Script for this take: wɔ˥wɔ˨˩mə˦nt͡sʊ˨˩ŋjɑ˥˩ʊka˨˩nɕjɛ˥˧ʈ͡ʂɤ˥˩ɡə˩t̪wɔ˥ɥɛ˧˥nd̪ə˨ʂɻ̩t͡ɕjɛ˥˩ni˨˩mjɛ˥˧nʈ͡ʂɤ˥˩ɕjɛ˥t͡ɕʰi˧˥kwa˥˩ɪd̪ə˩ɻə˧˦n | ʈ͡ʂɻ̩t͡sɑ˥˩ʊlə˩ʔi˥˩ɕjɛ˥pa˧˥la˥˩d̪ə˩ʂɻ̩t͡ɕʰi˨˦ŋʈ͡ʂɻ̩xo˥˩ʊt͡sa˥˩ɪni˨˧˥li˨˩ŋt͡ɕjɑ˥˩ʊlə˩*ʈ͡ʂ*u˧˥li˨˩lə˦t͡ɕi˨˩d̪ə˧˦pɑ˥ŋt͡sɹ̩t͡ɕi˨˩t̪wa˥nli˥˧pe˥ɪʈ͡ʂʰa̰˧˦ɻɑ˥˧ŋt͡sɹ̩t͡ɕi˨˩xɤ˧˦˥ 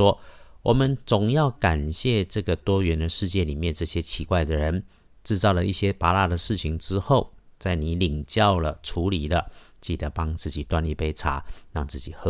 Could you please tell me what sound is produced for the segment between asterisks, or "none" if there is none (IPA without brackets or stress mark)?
ʈ͡ʂʰ